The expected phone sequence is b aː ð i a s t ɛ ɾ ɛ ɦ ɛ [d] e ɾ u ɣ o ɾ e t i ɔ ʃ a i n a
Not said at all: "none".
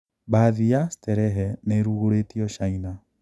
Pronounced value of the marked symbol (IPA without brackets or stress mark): n